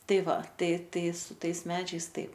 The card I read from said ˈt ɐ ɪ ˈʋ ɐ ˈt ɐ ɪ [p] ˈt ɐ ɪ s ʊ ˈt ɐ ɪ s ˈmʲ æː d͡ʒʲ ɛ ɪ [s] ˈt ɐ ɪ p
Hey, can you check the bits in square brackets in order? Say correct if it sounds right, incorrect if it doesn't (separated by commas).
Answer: incorrect, correct